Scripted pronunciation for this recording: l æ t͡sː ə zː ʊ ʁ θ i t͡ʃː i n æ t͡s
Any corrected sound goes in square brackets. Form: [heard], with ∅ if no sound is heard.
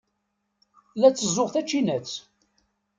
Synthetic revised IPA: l æ t͡sː ə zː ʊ ʁ θ [æ] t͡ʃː i n æ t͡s